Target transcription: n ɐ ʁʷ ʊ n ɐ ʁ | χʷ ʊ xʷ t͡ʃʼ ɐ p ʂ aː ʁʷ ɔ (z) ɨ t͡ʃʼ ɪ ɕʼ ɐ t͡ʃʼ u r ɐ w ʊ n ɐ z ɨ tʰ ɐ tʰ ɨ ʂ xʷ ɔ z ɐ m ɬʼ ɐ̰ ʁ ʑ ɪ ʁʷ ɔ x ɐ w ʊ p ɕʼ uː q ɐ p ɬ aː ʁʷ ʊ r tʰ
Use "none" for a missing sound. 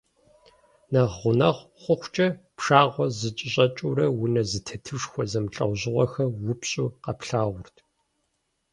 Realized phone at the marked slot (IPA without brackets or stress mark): z